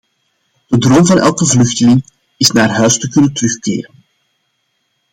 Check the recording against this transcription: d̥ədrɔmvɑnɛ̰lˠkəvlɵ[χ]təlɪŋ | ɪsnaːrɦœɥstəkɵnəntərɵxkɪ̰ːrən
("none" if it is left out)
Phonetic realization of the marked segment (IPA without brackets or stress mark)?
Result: x